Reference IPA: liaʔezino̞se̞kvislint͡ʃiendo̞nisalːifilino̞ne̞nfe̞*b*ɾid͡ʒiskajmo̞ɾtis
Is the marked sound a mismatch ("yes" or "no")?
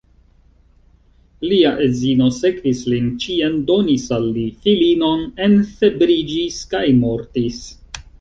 no